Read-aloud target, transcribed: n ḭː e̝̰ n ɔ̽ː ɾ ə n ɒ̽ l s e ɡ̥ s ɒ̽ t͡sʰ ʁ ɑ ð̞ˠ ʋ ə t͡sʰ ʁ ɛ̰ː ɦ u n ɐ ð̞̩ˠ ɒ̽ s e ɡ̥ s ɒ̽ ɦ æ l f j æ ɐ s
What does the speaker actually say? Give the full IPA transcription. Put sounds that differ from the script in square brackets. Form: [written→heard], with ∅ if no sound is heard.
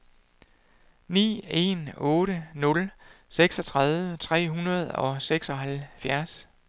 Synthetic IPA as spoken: n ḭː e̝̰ n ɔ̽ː ɾ ə n [ɒ̽→ɔ̽] l s e ɡ̥ s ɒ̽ t͡sʰ ʁ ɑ ð̞ˠ ʋ ə t͡sʰ ʁ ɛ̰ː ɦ u n ɐ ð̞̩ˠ ɒ̽ s e ɡ̥ s ɒ̽ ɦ æ l f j æ ɐ s